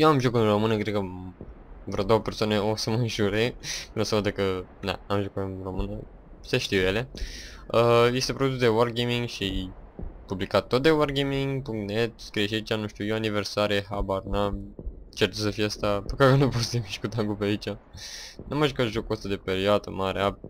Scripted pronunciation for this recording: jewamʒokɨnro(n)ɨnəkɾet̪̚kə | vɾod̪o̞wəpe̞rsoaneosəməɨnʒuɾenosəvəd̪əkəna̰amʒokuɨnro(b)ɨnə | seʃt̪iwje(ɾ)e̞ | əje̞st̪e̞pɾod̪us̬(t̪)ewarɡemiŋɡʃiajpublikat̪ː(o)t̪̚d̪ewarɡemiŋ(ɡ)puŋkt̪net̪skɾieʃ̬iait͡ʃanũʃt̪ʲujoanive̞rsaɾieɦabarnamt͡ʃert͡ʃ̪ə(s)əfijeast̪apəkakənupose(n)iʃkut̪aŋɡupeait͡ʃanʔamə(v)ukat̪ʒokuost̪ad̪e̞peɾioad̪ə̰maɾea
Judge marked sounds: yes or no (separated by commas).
no, no, no, no, yes, yes, yes, no, no